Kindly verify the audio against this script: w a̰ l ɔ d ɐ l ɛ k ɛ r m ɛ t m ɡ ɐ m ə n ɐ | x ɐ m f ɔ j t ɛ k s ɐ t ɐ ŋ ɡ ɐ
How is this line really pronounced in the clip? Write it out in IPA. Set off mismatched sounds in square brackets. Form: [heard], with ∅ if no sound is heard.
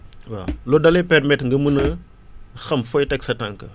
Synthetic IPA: w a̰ l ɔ d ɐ l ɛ [p] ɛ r m ɛ t [ŋ] ɡ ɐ m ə n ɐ | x ɐ m f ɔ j t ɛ k s ɐ t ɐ ŋ [k] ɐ